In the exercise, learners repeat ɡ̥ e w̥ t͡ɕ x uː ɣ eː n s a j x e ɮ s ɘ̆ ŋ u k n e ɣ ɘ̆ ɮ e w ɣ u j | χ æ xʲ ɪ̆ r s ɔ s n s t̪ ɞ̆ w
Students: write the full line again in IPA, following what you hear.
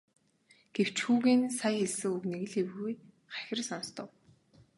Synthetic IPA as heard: ɡ̥ e w̥ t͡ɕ x uː ɣ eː n s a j x e ɮ s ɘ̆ ŋ u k n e ɣ ɘ̆ ɮ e w ɣ u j | χ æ xʲ ɪ̆ r s ɔ n s t̪ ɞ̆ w